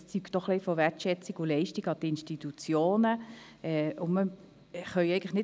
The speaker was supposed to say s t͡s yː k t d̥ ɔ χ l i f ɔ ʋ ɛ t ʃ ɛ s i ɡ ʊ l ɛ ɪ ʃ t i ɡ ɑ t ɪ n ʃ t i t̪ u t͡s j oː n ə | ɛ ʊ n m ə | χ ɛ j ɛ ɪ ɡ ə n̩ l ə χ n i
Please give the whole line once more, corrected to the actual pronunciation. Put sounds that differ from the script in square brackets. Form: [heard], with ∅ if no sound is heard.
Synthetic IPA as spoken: s t͡s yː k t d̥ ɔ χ l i f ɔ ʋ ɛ t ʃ ɛ [t͡s] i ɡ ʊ l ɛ ɪ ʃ t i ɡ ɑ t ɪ n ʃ t i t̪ u t͡s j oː n ə | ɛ ʊ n m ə | χ [œ] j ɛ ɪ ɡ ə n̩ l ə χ n [ɪ]